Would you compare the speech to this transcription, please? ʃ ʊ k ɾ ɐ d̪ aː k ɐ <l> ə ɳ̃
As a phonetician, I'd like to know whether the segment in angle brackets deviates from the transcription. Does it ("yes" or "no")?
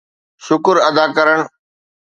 yes